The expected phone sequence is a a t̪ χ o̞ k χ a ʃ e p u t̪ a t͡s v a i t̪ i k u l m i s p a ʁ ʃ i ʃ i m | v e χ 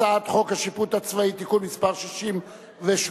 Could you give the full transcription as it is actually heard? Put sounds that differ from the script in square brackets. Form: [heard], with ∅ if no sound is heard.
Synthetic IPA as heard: a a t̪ χ o̞ k [h] a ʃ [i] p u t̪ a t͡s v a i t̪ i k u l m i s p a ʁ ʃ i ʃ i m | v e [ʃ]